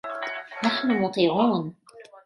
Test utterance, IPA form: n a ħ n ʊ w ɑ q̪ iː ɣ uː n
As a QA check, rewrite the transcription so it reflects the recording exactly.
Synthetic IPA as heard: n a ħ n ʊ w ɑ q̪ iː ʕ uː n